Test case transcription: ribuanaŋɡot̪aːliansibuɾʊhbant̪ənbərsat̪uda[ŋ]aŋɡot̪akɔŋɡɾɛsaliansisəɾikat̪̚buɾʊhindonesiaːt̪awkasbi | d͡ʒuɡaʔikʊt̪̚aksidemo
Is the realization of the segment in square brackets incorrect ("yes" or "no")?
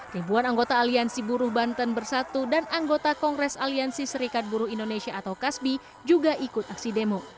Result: yes